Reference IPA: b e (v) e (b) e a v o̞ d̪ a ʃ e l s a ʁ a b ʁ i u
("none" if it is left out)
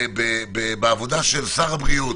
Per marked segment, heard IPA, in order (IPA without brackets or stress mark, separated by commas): b, b